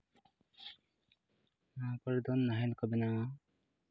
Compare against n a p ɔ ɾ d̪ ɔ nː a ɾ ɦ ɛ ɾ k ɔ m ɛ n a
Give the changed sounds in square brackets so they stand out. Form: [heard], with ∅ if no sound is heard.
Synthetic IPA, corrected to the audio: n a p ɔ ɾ d̪ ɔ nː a [∅] ɦ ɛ [l] k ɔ [b] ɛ n a